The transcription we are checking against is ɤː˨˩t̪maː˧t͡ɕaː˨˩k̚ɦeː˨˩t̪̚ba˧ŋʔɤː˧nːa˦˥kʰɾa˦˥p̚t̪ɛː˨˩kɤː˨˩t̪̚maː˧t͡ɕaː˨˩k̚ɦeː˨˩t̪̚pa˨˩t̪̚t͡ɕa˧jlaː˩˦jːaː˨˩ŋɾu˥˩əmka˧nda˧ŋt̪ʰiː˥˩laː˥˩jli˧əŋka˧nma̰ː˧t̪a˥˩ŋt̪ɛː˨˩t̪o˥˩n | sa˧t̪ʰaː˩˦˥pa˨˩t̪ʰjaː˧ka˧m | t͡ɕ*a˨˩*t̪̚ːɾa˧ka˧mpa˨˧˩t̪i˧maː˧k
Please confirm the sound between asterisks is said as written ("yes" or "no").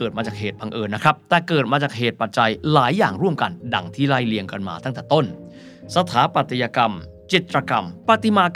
no